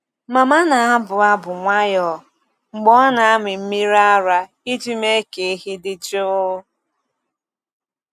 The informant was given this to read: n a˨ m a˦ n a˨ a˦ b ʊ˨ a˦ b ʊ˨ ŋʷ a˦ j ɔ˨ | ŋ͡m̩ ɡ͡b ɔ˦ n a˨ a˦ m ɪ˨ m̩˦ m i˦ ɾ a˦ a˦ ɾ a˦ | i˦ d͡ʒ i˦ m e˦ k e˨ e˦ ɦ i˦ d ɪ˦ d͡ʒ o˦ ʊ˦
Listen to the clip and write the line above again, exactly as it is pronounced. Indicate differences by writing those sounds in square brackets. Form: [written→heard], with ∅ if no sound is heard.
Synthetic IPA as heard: [n→m] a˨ m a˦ n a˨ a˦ b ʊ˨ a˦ b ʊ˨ ŋʷ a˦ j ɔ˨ | ŋ͡m̩ ɡ͡b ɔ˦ n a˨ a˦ m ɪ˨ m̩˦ m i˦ ɾ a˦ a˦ ɾ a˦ | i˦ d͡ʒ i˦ m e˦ k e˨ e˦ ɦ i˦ d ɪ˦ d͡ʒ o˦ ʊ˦